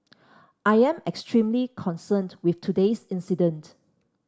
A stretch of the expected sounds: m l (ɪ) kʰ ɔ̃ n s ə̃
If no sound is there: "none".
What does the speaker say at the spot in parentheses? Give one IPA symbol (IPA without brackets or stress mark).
i